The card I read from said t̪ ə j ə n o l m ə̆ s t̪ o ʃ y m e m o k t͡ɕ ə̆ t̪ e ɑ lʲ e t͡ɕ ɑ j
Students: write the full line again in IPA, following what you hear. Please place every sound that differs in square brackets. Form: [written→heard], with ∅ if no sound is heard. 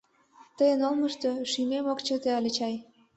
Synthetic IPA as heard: t̪ ə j ə n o l m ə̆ [s→ʃ] t̪ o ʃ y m e m o k t͡ɕ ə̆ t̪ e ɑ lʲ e t͡ɕ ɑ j